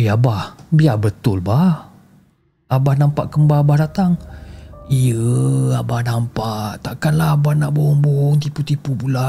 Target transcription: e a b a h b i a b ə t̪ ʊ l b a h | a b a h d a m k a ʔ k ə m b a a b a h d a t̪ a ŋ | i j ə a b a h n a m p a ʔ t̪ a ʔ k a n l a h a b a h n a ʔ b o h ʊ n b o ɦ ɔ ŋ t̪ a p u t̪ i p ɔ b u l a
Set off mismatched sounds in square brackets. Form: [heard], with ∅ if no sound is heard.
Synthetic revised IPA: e a b a h b i a b ə t̪ ʊ l b a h | a b a h [n] a m [p] a ʔ k ə m b a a b a h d a t̪ a ŋ | i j ə a b a h n a m p a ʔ t̪ a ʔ k a n l a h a b a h n a ʔ b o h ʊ [ŋ] b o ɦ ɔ ŋ t̪ [i] p u t̪ i p [u] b u l a